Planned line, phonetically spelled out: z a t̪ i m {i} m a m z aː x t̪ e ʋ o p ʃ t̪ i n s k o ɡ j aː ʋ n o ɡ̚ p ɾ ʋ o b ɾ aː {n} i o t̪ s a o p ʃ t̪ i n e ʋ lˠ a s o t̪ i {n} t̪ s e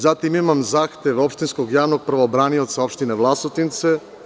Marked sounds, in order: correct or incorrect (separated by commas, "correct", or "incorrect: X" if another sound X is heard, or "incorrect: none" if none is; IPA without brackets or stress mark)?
correct, correct, correct